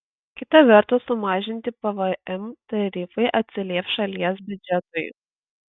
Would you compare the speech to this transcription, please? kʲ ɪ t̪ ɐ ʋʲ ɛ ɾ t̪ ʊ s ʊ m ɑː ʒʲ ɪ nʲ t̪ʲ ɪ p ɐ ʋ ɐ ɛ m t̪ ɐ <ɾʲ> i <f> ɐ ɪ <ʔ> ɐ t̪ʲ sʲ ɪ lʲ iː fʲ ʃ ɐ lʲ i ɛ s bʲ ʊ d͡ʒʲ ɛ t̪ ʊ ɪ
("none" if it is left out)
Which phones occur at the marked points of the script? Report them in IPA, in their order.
ɾʲ, f, ʔ

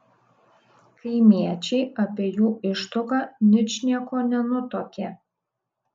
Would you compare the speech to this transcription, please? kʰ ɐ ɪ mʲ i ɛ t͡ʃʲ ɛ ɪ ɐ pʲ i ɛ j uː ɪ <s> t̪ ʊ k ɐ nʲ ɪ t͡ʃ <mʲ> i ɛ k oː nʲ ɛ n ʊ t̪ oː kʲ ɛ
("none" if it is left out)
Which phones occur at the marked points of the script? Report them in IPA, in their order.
ʃ, nʲ

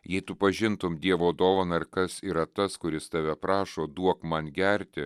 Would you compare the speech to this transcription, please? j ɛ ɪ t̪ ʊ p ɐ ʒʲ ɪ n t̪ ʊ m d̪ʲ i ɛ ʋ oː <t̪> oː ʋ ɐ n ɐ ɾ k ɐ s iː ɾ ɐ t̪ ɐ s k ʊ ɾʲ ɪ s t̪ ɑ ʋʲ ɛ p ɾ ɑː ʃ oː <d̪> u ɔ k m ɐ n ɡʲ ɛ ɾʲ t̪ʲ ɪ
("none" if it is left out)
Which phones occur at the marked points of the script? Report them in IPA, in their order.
d̪, d̪

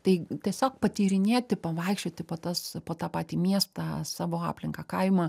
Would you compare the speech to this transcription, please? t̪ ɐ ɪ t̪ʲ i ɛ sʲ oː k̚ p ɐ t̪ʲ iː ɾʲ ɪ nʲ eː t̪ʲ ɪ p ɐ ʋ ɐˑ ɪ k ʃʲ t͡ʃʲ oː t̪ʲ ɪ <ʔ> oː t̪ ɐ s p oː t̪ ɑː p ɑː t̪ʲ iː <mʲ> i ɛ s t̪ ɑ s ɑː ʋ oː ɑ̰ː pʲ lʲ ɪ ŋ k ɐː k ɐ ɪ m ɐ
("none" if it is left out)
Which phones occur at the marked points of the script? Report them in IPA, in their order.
p, mʲ

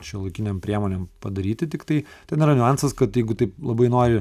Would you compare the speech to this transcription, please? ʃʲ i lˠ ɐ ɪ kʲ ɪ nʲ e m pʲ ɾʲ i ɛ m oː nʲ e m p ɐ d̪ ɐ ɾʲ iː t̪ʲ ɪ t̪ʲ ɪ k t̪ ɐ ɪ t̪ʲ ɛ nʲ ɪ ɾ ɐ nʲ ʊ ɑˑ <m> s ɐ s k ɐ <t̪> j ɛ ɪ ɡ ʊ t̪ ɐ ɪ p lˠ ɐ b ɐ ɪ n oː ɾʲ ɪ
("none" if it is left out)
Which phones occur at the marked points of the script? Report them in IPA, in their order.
n, t̪

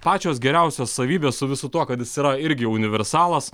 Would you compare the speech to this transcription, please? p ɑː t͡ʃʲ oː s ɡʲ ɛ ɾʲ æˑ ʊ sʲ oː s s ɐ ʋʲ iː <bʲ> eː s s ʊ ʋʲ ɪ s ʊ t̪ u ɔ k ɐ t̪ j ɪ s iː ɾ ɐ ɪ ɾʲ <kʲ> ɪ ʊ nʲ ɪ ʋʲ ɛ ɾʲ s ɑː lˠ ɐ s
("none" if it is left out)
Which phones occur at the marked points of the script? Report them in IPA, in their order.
bʲ, ɡʲ

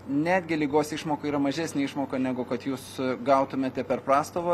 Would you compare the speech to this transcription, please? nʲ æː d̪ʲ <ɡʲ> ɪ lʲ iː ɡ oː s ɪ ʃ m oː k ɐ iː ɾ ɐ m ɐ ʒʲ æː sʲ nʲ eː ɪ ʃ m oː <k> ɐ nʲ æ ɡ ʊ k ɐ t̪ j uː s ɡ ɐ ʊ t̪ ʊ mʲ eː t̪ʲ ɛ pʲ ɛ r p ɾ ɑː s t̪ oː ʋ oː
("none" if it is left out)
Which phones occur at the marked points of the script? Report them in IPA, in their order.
ɡʲ, k

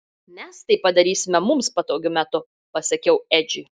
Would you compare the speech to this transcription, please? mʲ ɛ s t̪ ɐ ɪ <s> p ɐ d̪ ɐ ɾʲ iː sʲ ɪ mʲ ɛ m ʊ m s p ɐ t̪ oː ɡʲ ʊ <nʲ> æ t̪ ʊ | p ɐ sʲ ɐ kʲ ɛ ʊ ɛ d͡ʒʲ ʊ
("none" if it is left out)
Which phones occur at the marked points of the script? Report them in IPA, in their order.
none, mʲ

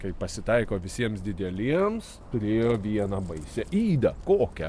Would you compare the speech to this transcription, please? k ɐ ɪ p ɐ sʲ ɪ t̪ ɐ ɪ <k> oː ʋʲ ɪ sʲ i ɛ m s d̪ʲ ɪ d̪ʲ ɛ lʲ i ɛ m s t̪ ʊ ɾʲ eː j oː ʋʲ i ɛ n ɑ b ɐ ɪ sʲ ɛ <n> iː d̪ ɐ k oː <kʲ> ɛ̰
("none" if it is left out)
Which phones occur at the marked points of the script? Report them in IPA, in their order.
k, none, kʲ

